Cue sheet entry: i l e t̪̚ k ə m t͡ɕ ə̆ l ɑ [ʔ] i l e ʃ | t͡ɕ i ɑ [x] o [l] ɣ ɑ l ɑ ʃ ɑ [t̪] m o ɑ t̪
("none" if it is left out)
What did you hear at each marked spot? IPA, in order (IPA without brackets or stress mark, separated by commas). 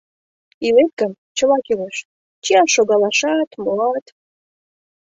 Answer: k, ʃ, none, t̪